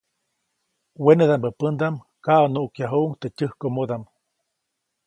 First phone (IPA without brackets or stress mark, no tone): w